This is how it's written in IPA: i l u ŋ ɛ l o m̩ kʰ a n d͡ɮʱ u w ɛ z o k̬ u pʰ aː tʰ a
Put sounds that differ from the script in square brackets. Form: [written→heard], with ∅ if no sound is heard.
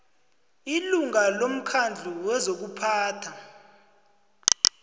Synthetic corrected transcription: i l u ŋ [ɛ→a] l o m̩ kʰ a n d͡ɮʱ u w ɛ z o k̬ u pʰ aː tʰ a